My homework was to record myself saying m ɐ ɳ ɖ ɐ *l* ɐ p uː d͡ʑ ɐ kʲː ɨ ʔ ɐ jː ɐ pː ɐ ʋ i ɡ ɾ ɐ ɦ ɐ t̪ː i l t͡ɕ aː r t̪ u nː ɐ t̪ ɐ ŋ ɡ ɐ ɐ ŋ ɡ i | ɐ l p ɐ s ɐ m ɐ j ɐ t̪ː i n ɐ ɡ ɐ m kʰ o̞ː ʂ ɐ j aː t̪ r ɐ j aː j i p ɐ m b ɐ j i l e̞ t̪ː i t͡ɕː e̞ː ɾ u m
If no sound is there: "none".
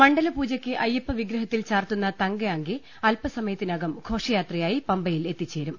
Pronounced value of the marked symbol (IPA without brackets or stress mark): l